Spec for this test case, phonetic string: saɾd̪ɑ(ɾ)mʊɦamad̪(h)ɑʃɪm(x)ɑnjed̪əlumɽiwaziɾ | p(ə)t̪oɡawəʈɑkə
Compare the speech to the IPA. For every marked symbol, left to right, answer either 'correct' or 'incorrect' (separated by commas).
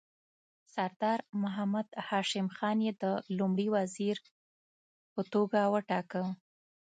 correct, correct, correct, correct